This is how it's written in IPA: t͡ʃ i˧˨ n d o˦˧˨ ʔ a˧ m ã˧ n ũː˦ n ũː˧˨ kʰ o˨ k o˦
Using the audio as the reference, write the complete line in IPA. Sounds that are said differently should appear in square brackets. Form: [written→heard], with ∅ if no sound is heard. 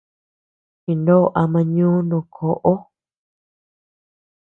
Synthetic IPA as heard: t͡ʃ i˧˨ n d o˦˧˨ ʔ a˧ m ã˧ [n→ɲ] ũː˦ n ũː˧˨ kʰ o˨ [k→ʔ] o˦